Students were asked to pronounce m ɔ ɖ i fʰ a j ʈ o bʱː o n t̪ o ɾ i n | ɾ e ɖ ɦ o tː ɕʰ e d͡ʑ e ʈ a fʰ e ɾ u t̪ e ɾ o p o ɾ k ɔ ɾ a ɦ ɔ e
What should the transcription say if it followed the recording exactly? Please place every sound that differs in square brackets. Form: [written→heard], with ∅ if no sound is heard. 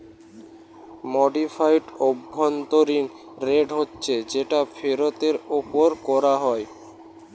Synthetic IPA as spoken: m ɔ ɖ i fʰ a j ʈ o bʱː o n t̪ o ɾ i n | ɾ e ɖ ɦ o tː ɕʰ e d͡ʑ e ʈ a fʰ e ɾ [u→o] t̪ e ɾ o p o ɾ k ɔ ɾ a ɦ ɔ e